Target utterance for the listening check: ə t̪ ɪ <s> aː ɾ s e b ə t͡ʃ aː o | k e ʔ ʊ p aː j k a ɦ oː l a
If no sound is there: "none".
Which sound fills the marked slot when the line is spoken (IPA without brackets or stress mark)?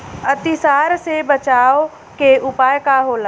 s